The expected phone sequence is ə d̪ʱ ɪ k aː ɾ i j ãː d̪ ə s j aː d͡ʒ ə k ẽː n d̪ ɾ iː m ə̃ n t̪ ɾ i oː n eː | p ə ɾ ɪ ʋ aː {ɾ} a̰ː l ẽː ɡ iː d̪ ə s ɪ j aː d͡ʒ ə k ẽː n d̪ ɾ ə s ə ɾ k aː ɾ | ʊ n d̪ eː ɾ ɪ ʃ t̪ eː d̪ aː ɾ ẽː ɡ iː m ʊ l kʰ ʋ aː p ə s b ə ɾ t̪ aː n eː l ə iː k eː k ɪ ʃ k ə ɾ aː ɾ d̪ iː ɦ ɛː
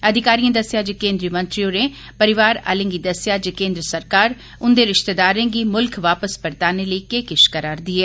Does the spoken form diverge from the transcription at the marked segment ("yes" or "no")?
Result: no